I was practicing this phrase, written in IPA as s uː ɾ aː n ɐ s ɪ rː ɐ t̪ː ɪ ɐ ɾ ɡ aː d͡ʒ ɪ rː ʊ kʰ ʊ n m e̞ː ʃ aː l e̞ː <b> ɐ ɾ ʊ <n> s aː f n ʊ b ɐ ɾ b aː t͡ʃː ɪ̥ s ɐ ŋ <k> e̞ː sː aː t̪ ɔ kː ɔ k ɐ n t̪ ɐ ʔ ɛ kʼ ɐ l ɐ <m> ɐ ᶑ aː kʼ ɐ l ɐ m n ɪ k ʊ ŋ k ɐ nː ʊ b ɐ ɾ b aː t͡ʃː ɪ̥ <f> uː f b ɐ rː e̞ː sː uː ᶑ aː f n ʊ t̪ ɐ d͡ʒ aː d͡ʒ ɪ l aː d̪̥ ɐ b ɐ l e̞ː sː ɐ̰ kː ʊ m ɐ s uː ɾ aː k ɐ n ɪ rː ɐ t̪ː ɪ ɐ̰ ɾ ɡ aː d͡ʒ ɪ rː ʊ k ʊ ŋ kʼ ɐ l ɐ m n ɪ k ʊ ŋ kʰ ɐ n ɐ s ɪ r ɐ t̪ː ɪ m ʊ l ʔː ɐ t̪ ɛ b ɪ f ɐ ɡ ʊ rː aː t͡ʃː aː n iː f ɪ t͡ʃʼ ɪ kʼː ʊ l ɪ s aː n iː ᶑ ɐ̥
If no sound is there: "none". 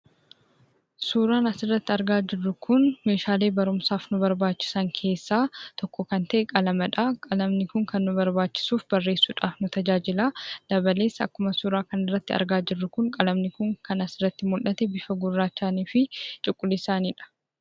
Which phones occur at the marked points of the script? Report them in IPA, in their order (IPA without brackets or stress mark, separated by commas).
b, m, kʰ, m, s